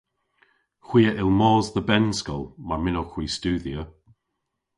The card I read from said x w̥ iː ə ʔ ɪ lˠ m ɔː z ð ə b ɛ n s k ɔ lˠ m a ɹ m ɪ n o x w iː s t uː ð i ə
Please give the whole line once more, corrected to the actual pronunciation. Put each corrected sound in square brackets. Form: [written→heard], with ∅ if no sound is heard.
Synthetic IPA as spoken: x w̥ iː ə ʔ ɪ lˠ m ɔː z ð ə b ɛ n s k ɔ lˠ m a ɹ m ɪ n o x w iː s t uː ð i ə